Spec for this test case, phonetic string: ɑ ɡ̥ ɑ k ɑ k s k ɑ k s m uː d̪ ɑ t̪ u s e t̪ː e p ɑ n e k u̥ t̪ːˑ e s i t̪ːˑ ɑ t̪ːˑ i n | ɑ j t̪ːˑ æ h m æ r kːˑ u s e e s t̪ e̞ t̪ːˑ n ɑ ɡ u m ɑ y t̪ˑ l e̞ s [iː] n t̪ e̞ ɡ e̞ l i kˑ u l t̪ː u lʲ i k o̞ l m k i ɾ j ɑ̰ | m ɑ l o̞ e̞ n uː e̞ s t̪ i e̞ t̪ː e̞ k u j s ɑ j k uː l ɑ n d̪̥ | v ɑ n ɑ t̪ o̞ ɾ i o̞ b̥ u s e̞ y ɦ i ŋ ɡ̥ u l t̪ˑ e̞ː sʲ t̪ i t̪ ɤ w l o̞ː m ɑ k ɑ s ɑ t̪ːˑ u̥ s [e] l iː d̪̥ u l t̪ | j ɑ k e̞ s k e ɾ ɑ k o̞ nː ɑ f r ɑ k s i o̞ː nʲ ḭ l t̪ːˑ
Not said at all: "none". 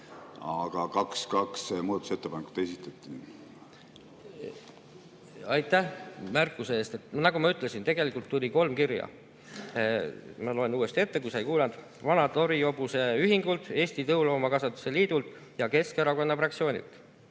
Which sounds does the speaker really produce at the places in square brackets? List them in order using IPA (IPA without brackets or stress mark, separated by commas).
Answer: i, e